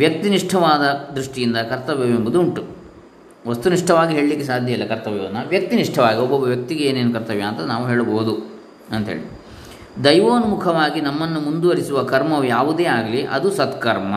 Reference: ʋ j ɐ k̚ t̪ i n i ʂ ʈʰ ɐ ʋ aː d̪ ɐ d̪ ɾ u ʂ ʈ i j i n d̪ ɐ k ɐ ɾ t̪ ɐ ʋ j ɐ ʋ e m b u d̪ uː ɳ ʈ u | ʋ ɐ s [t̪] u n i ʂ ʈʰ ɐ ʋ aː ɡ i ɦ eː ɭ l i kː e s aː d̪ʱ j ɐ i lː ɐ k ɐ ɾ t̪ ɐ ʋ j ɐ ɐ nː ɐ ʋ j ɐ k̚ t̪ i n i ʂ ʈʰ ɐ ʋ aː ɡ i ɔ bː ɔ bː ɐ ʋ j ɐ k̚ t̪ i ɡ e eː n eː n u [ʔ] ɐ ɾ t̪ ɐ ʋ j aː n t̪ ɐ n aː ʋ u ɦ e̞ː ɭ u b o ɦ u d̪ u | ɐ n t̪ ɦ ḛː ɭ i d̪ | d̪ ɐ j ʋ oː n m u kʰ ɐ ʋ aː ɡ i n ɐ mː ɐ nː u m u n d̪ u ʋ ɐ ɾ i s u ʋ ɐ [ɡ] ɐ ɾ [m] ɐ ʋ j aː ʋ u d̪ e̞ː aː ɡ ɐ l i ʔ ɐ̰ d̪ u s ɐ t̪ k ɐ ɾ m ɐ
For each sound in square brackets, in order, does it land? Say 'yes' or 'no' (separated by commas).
yes, no, no, yes